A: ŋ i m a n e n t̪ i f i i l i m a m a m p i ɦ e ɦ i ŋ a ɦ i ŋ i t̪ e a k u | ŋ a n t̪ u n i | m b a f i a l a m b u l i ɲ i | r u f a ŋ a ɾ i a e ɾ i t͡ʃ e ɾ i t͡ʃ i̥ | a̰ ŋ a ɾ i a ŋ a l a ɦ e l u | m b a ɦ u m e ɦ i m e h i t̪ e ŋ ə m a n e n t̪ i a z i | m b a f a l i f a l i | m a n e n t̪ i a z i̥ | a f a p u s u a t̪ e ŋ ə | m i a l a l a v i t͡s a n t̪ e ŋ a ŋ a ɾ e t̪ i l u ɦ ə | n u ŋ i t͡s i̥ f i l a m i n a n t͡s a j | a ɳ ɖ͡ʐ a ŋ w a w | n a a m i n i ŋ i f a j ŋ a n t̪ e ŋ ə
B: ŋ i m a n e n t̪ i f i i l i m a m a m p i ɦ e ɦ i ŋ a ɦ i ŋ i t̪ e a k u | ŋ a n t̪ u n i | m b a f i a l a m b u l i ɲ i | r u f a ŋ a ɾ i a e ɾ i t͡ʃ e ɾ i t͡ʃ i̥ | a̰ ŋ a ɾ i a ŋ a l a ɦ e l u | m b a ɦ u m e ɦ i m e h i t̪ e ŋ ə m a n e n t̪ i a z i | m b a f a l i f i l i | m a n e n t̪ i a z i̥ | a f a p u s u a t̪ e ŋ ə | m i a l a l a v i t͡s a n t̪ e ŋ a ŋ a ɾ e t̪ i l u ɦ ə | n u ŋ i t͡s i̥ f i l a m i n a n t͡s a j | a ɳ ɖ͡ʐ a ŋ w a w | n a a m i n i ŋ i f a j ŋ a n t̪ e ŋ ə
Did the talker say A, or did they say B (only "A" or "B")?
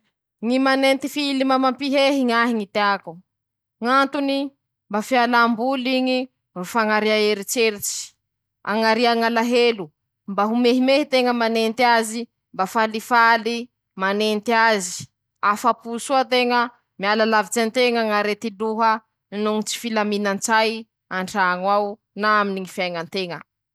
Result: A